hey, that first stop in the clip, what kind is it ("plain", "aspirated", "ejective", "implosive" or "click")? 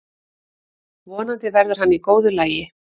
plain